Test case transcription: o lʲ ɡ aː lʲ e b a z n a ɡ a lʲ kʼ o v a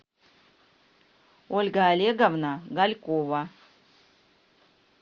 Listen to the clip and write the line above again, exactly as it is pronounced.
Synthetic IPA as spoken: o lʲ ɡ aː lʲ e ɡ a v n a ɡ a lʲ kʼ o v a